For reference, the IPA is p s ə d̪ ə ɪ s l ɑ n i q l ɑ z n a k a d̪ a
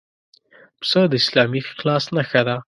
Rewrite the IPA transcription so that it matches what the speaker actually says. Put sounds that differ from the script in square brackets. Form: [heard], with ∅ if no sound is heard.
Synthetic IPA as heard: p s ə d̪ ə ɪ s l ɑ [m] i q l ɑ [s] n a [x] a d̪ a